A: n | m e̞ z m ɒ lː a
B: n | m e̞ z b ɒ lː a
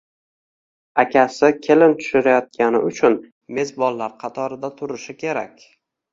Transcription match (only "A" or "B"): B